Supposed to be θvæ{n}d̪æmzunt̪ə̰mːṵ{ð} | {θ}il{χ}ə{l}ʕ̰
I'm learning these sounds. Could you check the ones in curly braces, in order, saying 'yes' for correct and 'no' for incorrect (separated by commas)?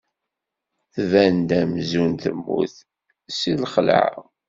yes, no, no, yes, yes